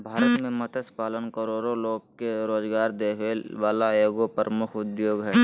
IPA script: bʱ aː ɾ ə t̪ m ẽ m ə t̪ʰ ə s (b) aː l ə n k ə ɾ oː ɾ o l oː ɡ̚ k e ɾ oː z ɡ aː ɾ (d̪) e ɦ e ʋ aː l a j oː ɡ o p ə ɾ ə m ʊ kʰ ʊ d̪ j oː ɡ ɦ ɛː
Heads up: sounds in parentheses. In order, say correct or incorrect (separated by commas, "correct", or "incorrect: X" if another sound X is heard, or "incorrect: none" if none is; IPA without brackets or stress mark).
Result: incorrect: p, correct